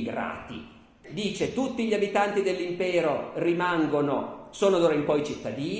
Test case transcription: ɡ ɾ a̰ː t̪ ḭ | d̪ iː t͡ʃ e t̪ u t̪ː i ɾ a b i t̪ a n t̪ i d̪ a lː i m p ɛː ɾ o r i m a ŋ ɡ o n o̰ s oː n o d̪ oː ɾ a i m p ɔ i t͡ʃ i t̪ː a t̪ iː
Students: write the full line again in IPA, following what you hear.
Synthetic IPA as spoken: ɡ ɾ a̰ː t̪ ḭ | d̪ iː t͡ʃ e t̪ u t̪ː i ʎ a b i t̪ a n t̪ i d̪ e lː i m p ɛː ɾ o r i m a ŋ ɡ o n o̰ s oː n o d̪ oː ɾ a i m p ɔ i t͡ʃ i t̪ː a d̪ iː